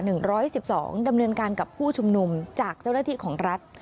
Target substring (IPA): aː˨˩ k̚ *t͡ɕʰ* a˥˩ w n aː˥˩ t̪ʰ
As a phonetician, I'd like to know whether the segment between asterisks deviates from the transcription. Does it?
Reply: yes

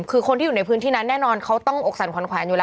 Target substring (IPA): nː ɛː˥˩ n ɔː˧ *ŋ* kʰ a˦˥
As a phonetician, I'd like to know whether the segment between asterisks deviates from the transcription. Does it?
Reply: yes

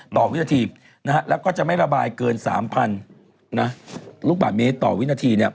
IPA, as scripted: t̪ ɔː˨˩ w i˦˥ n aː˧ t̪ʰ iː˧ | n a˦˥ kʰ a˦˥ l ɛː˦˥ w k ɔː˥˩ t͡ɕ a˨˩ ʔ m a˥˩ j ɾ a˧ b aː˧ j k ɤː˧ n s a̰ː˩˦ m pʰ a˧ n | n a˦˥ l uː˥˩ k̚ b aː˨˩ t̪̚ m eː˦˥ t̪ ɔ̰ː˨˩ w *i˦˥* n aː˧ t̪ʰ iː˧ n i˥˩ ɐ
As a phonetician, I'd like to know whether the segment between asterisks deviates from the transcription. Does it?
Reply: no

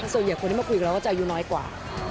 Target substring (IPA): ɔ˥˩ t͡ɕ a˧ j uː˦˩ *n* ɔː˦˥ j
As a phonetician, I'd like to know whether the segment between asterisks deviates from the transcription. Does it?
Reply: no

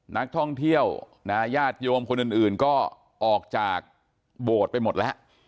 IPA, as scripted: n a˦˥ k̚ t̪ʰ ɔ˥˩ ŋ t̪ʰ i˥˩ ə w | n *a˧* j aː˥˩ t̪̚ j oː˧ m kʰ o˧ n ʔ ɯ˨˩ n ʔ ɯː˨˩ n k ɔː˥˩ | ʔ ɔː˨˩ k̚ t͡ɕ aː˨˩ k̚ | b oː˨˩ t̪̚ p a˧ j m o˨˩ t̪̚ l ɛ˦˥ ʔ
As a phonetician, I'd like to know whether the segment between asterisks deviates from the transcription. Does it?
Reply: yes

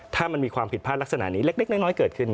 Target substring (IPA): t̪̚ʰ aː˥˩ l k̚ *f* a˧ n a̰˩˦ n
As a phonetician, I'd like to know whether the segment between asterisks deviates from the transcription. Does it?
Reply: yes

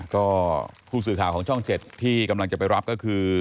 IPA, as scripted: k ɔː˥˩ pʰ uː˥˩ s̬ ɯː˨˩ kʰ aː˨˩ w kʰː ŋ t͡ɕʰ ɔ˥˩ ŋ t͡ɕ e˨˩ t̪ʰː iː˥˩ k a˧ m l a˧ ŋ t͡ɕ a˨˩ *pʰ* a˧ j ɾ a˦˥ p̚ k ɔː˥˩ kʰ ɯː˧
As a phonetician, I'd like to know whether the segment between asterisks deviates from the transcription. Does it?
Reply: yes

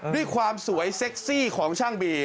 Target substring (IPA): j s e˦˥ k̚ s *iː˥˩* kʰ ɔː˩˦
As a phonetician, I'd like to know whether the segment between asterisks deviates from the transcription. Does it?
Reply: no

